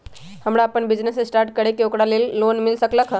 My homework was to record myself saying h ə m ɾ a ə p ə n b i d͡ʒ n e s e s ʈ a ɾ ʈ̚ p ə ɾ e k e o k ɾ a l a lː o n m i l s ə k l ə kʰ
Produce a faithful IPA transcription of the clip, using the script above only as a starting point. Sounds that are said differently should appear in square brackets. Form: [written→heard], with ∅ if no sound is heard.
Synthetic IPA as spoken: h ə m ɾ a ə p ə n b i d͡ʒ n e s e s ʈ a ɾ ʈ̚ [p→k] ə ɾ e k e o k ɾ a l [a→e] lː o n m i l s ə k l ə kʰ